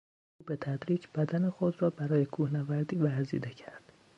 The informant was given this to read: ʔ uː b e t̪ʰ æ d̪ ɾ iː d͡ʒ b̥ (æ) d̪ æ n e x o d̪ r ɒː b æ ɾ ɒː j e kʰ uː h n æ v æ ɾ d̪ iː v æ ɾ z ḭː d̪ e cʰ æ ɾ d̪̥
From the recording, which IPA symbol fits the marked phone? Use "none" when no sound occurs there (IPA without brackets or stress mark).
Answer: æ